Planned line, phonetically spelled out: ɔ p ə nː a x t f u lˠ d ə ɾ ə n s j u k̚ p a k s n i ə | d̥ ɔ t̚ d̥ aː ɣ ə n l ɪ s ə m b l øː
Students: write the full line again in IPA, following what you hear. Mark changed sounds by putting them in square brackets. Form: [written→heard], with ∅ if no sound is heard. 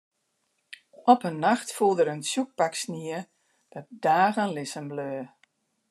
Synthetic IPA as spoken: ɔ p ə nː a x t f u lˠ d ə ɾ ə n s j u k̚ p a k s n i ə | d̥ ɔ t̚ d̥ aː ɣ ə n l ɪ s ə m b l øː